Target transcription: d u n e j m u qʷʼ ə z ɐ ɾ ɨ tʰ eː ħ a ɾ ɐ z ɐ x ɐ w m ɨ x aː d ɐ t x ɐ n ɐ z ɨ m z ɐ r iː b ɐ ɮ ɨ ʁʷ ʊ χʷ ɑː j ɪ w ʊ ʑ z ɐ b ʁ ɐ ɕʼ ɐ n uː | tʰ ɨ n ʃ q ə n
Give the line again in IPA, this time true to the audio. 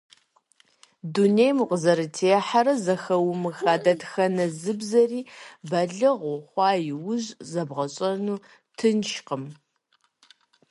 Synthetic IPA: d u n e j m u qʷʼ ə z ɐ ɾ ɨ tʰ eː ħ a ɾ ɐ z ɐ x ɐ w m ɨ x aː d ɐ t x ɐ n ɐ z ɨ b z ɐ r iː b ɐ ɮ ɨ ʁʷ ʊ χʷ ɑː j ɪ w ʊ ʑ z ɐ b ʁ ɐ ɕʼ ɐ n uː | tʰ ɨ n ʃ q ə m